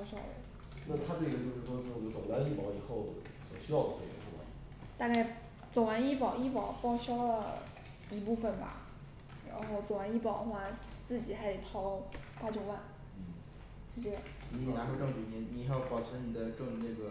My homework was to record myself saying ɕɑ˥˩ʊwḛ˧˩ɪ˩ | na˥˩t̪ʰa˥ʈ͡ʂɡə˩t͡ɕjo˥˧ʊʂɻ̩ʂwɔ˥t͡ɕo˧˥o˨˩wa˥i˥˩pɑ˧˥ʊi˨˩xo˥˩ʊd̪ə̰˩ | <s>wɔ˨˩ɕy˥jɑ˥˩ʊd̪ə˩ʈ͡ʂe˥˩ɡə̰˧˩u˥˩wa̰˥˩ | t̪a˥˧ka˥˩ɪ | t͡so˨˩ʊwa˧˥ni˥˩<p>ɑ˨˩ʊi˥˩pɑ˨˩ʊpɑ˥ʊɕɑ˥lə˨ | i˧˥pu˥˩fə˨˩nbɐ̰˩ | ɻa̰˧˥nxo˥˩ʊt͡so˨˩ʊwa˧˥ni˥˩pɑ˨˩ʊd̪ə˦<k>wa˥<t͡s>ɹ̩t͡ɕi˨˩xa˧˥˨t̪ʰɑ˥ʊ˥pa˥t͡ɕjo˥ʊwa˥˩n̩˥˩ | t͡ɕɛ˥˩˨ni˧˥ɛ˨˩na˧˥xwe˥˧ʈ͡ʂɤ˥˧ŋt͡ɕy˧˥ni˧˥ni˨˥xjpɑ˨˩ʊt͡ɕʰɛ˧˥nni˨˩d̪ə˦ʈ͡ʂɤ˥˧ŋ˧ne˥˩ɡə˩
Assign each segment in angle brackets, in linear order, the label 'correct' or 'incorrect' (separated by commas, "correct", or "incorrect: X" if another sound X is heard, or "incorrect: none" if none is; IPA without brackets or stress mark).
correct, correct, incorrect: x, correct